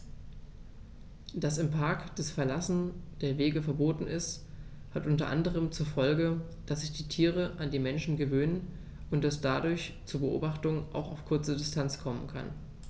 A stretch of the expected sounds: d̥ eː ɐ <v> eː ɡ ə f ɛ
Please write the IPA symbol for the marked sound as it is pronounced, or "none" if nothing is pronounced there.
v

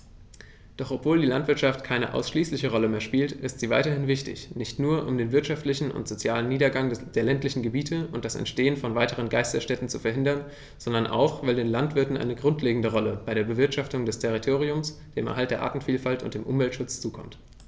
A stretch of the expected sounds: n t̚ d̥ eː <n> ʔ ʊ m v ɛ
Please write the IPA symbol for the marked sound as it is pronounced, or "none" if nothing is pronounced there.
m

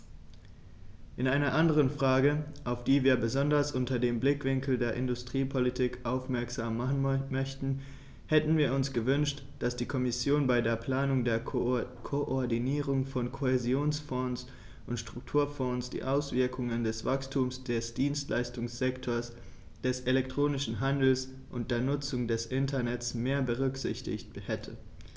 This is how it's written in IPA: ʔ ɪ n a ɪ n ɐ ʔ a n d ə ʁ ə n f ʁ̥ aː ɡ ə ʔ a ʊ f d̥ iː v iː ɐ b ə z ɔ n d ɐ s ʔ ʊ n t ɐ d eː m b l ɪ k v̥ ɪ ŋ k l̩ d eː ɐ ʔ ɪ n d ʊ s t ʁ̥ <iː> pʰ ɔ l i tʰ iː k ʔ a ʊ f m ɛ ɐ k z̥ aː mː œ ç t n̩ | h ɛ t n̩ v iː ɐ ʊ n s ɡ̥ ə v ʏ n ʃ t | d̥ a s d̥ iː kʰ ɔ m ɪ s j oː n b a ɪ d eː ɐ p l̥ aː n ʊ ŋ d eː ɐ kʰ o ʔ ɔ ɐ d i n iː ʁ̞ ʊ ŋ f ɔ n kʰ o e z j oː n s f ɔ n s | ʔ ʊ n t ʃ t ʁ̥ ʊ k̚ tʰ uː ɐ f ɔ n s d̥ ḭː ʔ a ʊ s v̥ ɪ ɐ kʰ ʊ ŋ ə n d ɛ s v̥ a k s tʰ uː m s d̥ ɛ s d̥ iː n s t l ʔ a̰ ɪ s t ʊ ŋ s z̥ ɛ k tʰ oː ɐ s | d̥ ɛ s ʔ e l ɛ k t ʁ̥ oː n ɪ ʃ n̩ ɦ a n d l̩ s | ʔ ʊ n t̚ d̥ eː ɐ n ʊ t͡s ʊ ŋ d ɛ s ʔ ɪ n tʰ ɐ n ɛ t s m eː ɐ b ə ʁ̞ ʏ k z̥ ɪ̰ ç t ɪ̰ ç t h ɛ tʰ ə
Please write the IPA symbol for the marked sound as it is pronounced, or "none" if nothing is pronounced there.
iː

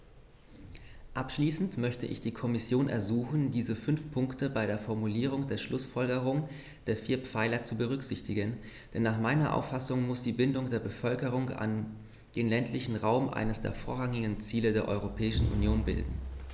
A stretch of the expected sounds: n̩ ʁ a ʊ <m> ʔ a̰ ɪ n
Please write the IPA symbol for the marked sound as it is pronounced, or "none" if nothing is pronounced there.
m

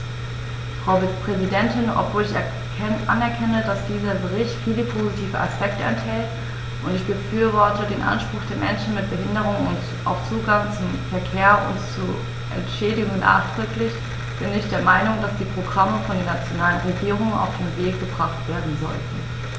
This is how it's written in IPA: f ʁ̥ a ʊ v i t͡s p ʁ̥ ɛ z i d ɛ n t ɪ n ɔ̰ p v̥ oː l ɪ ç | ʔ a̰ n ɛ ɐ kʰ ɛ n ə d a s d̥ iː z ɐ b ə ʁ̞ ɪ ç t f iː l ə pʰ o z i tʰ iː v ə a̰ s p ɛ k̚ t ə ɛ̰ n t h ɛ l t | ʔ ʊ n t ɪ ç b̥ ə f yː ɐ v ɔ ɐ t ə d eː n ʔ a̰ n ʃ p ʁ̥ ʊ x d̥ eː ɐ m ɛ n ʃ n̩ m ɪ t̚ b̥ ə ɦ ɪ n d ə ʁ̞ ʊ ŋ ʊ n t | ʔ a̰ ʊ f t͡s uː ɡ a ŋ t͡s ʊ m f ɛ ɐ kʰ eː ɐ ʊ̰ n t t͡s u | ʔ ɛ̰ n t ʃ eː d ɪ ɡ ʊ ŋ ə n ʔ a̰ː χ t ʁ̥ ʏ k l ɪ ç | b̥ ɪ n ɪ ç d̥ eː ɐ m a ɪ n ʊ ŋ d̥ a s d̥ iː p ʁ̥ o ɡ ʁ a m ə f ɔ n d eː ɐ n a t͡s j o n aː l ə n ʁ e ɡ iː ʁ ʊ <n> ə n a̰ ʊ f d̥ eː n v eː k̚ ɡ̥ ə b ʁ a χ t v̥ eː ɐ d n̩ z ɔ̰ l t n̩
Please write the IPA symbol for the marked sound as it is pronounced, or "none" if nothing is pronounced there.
ŋ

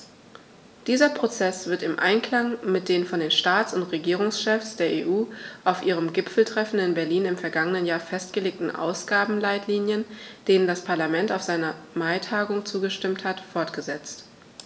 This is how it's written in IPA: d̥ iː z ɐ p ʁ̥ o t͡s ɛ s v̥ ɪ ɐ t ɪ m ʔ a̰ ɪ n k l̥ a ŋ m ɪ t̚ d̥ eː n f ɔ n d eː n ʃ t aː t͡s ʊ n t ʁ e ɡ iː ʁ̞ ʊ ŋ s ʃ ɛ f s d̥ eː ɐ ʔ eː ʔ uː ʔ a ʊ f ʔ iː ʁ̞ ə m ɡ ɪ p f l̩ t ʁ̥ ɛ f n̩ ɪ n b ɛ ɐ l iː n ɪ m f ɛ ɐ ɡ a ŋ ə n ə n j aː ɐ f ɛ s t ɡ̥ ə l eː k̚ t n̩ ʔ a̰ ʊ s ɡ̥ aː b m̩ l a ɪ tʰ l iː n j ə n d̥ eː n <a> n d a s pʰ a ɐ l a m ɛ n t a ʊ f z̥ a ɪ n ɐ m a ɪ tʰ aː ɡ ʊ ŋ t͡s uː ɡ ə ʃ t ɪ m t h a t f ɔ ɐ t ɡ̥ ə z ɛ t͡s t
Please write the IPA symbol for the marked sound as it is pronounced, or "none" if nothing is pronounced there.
ə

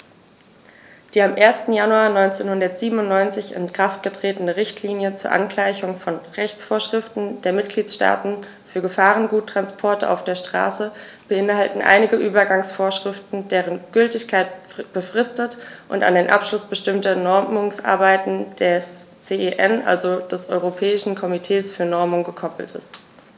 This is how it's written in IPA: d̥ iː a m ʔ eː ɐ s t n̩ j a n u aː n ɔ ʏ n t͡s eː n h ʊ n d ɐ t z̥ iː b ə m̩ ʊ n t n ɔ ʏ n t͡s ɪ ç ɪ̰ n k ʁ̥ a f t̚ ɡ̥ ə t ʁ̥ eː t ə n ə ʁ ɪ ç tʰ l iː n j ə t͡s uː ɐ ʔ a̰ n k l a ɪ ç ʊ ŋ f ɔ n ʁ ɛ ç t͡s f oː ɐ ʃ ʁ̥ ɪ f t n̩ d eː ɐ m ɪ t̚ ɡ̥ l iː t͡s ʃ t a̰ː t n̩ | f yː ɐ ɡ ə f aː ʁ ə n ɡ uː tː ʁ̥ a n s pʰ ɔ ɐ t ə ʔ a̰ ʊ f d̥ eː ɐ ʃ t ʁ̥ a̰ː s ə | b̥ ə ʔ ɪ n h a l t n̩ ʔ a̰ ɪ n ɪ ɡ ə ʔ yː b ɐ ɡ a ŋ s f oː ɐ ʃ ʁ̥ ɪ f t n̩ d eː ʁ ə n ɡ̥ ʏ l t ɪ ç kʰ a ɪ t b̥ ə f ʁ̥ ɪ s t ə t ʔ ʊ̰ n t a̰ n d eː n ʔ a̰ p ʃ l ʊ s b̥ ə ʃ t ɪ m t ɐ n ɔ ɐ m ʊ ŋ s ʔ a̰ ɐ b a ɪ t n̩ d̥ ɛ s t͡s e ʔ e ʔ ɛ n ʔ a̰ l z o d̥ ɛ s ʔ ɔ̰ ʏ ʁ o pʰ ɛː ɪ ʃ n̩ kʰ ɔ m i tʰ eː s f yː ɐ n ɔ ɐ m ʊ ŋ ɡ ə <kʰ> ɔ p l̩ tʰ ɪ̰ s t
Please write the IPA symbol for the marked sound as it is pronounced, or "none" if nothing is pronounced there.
kʰ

